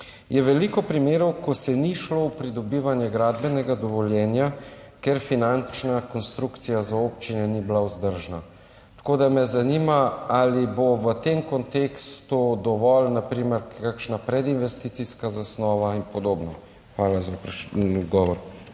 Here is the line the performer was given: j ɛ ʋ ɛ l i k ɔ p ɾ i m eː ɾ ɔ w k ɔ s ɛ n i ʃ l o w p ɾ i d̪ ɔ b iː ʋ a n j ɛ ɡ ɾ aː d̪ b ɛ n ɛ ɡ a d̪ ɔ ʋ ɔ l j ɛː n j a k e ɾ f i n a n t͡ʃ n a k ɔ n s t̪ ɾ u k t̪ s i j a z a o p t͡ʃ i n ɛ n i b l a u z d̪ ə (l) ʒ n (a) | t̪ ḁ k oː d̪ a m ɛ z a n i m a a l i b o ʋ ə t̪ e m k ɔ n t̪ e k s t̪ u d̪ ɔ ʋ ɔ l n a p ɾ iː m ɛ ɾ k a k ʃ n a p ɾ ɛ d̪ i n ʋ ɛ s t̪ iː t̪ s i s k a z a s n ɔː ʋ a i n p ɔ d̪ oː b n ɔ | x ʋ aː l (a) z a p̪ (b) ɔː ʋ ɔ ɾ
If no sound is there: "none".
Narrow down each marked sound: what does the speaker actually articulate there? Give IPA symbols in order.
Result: ɾ, a, a, ɡ

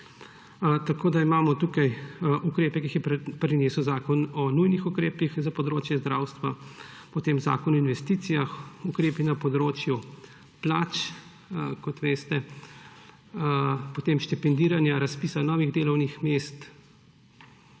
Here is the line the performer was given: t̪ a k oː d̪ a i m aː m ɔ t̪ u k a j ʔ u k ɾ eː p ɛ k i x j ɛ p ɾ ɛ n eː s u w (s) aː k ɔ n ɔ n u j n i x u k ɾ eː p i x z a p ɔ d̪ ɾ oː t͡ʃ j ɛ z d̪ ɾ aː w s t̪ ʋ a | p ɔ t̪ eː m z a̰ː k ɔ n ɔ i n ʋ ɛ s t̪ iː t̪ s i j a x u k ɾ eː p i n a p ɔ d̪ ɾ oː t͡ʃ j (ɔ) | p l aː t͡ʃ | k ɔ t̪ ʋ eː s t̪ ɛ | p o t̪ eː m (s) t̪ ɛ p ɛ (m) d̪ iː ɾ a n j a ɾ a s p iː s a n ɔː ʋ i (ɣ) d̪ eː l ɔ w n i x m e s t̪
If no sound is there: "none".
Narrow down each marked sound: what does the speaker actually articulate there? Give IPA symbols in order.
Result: z, u, ʃ, n, ɣ

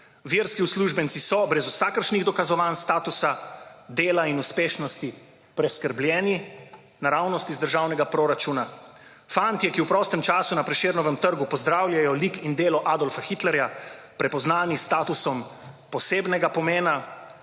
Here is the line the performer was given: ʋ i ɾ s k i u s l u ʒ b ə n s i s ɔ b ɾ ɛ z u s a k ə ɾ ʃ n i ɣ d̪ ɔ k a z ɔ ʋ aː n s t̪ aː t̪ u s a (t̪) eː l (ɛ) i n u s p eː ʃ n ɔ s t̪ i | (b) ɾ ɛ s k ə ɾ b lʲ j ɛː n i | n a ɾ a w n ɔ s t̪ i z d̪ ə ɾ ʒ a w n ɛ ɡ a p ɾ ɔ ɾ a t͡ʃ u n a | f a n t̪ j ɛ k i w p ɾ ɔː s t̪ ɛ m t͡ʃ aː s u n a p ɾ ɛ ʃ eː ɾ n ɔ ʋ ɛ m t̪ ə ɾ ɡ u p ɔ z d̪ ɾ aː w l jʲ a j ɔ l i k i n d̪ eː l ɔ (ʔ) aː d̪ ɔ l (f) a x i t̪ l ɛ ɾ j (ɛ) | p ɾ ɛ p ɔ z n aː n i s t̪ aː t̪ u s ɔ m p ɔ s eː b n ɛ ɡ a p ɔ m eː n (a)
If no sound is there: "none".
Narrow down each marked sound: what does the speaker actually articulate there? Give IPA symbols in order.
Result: d̪, a, p, ʔ, f, a, a

